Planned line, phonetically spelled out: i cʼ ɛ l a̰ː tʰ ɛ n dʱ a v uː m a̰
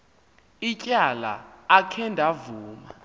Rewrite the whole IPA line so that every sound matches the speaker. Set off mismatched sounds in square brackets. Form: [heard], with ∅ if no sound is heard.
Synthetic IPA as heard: i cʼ [a] l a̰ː [kʰ] ɛ n dʱ a v uː m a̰

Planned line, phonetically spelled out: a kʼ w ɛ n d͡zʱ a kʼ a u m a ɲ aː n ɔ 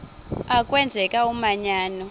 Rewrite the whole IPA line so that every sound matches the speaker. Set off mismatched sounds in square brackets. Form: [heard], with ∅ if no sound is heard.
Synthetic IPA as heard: a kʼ w ɛ n d͡zʱ [ɛ] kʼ a u m a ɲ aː n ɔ

